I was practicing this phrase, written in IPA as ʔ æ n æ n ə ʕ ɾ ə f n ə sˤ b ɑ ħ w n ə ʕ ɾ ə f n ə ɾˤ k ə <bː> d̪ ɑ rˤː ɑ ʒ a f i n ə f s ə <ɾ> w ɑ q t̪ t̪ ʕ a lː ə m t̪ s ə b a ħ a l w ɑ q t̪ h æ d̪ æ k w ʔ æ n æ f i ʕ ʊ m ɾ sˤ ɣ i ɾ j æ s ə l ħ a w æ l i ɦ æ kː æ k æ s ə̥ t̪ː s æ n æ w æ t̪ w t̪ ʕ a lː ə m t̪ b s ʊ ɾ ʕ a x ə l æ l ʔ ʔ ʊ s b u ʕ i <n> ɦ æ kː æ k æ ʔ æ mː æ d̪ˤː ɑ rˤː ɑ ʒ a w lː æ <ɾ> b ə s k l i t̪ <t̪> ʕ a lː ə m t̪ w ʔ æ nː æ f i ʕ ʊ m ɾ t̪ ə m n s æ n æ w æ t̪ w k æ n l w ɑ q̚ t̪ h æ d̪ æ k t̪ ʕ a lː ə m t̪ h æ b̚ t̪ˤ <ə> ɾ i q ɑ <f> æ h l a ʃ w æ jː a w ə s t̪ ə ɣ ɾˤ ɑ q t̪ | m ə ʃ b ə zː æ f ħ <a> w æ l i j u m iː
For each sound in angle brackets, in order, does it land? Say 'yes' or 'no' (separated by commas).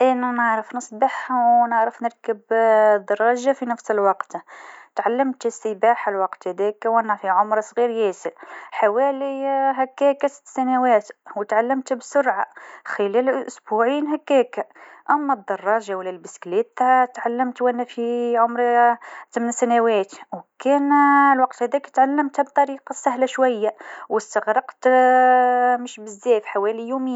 no, no, yes, no, yes, no, no, yes